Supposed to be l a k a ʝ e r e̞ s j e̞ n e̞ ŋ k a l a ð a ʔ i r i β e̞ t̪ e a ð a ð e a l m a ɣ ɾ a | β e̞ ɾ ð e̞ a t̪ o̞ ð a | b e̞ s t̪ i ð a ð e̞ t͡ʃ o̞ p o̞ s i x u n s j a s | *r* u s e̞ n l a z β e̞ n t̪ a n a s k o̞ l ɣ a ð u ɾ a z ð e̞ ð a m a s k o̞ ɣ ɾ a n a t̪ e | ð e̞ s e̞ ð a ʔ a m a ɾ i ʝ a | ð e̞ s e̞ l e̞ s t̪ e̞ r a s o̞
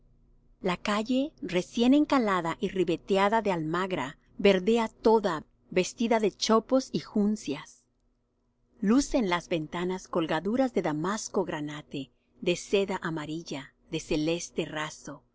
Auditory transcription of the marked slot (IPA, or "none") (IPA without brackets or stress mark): l